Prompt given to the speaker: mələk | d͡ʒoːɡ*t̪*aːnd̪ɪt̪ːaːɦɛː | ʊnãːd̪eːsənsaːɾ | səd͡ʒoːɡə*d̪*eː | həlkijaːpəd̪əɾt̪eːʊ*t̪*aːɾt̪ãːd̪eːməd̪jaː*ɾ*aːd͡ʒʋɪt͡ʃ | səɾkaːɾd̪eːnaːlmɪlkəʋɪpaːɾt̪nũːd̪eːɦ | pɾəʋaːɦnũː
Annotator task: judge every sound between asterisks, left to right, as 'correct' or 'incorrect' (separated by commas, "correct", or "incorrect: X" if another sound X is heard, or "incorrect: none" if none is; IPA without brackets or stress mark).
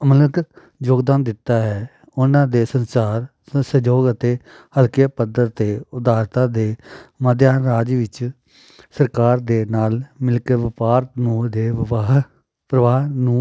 incorrect: d̪, incorrect: t̪, incorrect: d̪, correct